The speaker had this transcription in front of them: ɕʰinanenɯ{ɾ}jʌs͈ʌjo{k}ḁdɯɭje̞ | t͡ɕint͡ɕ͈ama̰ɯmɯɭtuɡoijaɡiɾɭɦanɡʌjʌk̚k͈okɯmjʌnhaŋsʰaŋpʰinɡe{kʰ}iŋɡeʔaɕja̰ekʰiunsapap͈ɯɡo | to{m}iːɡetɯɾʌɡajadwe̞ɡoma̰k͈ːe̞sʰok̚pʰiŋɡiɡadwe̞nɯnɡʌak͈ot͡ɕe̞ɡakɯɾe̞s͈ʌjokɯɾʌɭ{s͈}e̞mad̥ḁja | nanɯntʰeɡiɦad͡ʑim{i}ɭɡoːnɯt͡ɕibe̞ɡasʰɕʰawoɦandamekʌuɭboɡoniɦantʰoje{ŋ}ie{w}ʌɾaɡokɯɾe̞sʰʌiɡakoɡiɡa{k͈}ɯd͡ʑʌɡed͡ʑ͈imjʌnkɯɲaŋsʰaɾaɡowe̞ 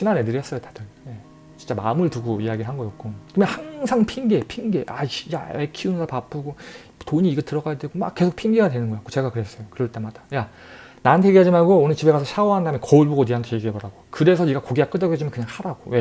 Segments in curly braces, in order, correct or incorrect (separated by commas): correct, incorrect, incorrect, incorrect, incorrect, incorrect, incorrect, incorrect, correct